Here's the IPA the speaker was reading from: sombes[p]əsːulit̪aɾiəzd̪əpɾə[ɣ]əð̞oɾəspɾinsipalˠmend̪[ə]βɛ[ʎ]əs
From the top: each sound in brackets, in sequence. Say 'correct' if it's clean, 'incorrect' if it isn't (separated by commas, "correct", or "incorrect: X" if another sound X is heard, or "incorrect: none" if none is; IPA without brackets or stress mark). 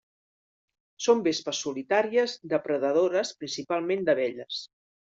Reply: correct, incorrect: ð, correct, correct